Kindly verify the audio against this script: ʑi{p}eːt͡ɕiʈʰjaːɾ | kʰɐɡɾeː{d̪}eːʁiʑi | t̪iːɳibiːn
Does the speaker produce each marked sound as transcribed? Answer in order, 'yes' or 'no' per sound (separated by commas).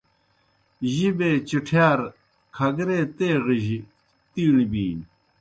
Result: no, no